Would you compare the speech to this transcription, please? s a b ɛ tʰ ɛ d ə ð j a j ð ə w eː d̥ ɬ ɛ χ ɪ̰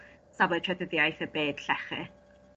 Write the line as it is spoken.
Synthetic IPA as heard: s a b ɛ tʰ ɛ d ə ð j a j θ ə b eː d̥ ɬ ɛ χ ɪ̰